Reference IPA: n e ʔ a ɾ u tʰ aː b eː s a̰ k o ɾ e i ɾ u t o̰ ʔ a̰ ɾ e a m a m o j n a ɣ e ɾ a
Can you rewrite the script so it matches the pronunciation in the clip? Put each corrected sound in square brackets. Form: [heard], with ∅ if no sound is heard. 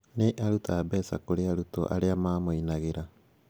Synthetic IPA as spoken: n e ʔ a ɾ u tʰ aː b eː s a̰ k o ɾ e [a] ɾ u t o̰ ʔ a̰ ɾ e a m a m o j n a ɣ e ɾ a